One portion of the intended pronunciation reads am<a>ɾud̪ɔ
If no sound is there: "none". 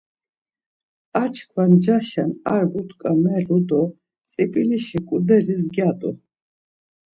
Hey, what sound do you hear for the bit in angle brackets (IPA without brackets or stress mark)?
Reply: ɛ